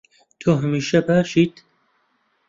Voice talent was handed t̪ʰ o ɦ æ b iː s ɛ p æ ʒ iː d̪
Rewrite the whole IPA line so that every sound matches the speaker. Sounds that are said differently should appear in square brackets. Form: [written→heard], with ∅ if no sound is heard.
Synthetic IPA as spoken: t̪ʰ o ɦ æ [b→m] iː [s→ʃ] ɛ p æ [ʒ→ʃ] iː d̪